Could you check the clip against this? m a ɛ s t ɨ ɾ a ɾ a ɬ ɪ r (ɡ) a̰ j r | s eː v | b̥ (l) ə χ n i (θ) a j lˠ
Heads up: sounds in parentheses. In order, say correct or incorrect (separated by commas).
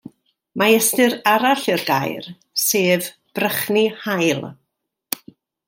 correct, incorrect, incorrect